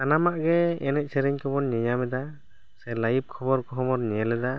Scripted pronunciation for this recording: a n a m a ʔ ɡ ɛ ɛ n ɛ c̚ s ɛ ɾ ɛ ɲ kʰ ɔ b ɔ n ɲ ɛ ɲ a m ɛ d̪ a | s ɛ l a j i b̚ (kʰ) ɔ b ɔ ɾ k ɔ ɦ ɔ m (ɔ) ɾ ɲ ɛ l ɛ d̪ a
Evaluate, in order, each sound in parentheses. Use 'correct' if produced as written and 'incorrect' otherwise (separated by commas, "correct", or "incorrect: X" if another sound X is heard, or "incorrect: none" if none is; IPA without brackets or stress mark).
correct, correct